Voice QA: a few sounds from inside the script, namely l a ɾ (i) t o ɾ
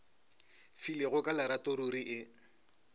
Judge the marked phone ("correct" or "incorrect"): incorrect